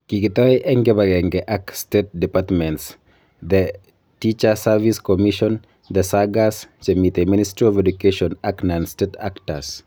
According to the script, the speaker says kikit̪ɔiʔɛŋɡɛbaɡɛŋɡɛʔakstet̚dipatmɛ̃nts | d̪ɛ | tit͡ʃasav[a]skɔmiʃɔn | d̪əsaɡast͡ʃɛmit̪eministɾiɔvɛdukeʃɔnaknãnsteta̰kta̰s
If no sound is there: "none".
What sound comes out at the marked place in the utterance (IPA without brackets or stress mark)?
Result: i